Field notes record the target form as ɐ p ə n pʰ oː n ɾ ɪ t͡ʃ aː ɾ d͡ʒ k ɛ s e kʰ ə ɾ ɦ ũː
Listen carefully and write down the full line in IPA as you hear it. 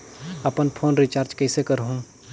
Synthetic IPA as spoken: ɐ p ə n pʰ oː n ɾ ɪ t͡ʃ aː ɾ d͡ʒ k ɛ s e k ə ɾ ɦ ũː